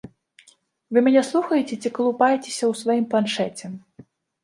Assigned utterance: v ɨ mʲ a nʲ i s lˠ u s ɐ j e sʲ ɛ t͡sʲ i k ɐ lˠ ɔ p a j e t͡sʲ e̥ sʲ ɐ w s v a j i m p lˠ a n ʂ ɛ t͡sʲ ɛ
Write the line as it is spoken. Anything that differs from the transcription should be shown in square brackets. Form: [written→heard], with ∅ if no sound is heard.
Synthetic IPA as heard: v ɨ mʲ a nʲ [i→ɛ] s lˠ u [s→x] ɐ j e [sʲ→t͡sʲ] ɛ t͡sʲ i k ɐ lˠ [ɔ→u] p a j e t͡sʲ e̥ sʲ ɐ w s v a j i m p lˠ a n ʂ ɛ t͡sʲ ɛ